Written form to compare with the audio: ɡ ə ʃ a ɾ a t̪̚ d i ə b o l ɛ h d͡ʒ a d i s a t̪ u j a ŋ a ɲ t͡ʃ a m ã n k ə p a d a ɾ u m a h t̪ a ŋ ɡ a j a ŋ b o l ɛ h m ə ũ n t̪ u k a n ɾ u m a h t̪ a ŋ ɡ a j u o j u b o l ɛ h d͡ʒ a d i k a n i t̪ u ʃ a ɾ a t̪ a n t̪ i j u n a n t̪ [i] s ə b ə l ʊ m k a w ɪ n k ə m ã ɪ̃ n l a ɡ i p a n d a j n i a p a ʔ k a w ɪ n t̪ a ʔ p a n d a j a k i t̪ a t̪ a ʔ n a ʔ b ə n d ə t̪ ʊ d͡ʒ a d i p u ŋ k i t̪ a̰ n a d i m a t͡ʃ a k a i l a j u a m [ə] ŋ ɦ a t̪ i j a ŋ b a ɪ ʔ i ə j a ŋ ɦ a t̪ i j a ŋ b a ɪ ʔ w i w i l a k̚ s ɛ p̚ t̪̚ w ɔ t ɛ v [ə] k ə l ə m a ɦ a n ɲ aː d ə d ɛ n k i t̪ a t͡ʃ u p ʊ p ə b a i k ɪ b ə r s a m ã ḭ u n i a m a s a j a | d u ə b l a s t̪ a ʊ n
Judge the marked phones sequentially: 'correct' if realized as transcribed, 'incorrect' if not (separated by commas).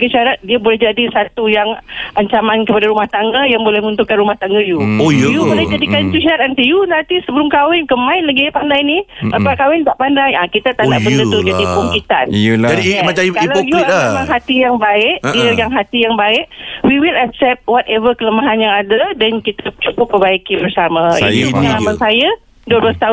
correct, incorrect, correct